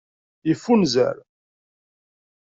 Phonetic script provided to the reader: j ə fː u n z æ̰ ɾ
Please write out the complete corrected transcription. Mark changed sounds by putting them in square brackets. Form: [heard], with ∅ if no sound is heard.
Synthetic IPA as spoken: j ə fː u n z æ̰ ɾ